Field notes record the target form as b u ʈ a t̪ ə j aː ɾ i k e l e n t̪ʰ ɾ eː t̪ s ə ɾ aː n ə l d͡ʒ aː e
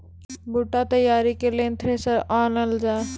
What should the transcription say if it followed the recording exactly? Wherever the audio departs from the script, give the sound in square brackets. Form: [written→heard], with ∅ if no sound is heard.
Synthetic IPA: b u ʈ a t̪ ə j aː ɾ i k e l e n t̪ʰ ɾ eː [t̪→∅] s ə ɾ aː n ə l d͡ʒ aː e